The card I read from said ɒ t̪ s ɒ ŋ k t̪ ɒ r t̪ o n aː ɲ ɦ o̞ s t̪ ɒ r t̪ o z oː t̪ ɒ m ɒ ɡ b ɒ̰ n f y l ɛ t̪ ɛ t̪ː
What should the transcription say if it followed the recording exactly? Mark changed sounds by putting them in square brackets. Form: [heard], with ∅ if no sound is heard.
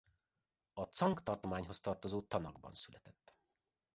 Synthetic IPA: ɒ t̪ s ɒ ŋ k t̪ ɒ r t̪ o [m] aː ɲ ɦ o̞ s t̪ ɒ r t̪ o z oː t̪ ɒ [n] ɒ ɡ b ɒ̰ n [s] y l ɛ t̪ ɛ t̪ː